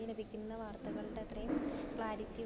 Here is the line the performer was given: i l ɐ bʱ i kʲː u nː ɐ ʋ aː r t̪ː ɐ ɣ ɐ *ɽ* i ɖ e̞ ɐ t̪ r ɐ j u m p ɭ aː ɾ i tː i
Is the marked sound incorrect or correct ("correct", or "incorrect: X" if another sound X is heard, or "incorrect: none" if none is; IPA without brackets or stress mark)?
incorrect: ɭ